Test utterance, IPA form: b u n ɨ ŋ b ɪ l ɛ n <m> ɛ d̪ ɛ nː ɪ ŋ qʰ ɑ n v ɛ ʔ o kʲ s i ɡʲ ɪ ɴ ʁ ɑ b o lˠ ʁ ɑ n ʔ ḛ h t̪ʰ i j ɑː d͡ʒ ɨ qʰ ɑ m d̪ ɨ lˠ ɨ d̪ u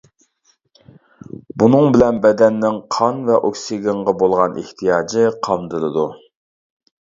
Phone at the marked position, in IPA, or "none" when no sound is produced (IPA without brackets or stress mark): b